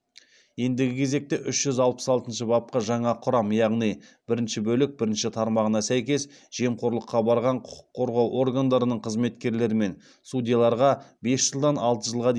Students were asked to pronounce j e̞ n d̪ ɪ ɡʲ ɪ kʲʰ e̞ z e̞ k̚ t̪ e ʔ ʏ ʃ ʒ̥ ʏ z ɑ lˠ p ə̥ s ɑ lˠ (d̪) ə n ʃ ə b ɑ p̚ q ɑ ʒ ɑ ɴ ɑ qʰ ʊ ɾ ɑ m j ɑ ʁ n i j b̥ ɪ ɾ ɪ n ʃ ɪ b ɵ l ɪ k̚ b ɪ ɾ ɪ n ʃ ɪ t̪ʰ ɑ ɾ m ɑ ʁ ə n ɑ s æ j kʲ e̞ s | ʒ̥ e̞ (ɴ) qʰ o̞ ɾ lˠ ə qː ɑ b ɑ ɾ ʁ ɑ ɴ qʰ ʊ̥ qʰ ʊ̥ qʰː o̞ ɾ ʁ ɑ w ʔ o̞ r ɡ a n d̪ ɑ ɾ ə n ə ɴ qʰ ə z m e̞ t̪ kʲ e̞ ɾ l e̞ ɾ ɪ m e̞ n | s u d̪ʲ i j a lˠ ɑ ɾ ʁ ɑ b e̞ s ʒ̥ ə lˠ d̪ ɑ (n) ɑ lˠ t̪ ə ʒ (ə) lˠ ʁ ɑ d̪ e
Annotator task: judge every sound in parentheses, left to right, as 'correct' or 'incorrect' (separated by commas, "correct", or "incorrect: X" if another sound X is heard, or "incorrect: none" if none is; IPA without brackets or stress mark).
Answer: incorrect: t̪, incorrect: m, correct, correct